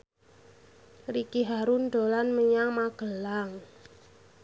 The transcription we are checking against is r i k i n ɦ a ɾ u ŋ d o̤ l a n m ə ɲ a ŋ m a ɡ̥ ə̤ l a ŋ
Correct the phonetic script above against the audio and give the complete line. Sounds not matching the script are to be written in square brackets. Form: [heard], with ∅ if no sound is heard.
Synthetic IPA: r i k i [∅] ɦ a ɾ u [n] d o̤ l a n m ə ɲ a ŋ m a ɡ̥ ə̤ l a ŋ